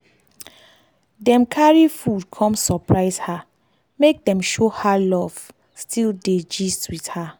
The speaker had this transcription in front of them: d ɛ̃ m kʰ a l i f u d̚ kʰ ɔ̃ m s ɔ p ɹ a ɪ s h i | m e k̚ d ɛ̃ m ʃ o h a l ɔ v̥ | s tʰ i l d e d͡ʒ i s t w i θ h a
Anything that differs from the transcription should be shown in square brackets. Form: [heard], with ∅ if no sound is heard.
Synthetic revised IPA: d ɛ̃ m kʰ a [ɹ] i f u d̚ kʰ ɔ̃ m s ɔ p ɹ a ɪ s h [a] | m e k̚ d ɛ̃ m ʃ o h a l ɔ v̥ | s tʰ i l d e d͡ʒ i s t w i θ h a